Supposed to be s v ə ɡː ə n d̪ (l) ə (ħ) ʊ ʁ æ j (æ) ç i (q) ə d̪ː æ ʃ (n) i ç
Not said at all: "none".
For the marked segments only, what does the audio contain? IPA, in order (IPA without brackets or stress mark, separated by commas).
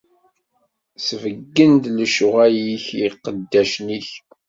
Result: l, ʃ, i, q, n